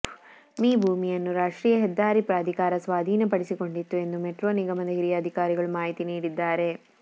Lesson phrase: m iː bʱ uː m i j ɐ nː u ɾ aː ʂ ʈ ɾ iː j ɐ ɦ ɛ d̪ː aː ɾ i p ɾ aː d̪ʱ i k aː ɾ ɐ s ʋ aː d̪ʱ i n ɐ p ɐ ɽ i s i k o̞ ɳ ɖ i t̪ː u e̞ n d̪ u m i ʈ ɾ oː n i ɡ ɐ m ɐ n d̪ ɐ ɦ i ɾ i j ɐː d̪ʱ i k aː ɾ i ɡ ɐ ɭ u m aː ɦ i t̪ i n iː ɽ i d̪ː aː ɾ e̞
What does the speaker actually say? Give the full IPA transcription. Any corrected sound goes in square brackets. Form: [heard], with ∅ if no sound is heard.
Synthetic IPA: m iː bʱ uː m i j ɐ nː u ɾ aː ʂ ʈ ɾ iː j ɐ ɦ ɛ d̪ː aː ɾ i p ɾ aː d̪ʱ i k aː ɾ ɐ s ʋ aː d̪ʱ [iː] n ɐ p ɐ ɽ i s i k o̞ ɳ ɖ i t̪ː u e̞ n d̪ u m [e] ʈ ɾ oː n i ɡ ɐ m ɐ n d̪ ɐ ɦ i ɾ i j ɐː d̪ʱ i k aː ɾ i ɡ ɐ ɭ u m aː ɦ i t̪ i n iː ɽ i d̪ː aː ɾ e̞